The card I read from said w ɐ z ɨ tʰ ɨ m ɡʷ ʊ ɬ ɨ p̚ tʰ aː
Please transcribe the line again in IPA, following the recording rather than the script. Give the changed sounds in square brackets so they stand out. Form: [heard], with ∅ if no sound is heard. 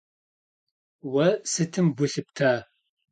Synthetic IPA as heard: w ɐ [s] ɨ tʰ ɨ m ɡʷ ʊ ɬ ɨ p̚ tʰ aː